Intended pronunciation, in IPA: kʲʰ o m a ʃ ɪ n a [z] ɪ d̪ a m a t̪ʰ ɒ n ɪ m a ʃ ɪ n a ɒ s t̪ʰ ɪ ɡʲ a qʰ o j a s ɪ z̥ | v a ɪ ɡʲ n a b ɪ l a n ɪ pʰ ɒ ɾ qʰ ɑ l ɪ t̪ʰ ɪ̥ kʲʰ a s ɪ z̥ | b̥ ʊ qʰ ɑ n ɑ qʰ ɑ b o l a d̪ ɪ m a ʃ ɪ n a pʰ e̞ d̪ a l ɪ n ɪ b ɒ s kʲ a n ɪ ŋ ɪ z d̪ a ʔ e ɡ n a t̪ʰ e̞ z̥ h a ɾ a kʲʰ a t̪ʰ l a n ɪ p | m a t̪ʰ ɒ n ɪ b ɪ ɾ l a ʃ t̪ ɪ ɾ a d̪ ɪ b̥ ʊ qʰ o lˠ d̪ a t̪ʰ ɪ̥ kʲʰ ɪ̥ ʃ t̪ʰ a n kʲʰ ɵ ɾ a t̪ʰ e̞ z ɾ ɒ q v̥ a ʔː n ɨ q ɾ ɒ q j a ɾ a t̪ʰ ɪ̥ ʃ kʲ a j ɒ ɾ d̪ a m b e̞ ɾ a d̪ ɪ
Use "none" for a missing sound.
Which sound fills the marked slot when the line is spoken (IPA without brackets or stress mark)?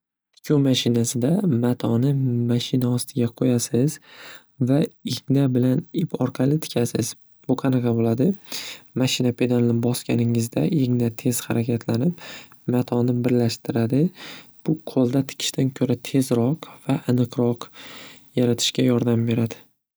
s